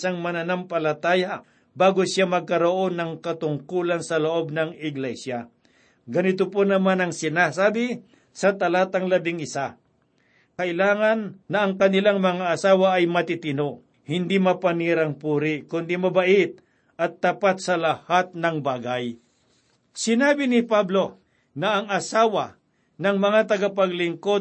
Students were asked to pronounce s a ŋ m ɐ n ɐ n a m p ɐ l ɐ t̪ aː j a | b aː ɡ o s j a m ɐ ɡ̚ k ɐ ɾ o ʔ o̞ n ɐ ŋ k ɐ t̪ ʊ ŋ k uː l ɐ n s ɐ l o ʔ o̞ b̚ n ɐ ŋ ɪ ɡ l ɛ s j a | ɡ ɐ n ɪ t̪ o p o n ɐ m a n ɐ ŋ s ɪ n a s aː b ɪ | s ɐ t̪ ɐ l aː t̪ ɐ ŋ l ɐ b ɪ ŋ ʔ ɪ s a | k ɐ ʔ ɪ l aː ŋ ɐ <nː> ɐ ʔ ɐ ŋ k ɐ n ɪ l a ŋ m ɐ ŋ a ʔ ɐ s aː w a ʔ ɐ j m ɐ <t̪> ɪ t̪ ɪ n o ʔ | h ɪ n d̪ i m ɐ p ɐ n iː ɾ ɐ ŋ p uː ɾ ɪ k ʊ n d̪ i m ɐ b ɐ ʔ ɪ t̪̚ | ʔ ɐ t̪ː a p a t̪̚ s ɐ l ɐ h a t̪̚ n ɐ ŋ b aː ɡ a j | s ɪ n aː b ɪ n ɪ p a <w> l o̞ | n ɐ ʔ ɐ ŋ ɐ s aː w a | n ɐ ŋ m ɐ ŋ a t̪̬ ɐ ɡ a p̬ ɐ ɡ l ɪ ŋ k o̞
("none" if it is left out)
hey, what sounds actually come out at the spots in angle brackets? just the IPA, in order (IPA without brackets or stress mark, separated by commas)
nː, t̪, b